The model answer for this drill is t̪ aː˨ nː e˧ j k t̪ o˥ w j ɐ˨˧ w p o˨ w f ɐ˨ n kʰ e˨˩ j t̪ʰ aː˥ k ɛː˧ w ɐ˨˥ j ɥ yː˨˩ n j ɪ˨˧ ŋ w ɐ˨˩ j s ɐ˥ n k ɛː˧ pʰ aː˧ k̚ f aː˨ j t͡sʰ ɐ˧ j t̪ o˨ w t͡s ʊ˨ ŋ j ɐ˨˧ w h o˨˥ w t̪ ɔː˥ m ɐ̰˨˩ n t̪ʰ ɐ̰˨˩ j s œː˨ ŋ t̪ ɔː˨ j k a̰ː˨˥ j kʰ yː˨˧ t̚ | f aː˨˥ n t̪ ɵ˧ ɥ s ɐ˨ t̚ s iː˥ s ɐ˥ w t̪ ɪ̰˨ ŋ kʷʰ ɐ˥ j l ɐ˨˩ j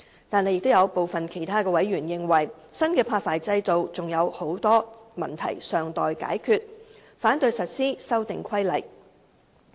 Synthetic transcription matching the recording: t̪ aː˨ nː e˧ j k t̪ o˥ w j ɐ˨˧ w p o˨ w f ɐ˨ n kʰ e˨˩ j t̪ʰ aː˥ k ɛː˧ w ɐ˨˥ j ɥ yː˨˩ n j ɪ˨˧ ŋ w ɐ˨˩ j s ɐ˥ n k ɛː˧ pʰ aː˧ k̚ f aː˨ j t͡s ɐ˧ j t̪ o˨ w t͡s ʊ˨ ŋ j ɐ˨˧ w h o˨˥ w t̪ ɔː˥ m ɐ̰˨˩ n t̪ʰ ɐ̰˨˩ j s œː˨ ŋ t̪ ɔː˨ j k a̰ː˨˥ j kʰ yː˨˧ t̚ | f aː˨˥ n t̪ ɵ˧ ɥ s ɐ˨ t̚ s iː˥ s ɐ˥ w t̪ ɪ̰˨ ŋ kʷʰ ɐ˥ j l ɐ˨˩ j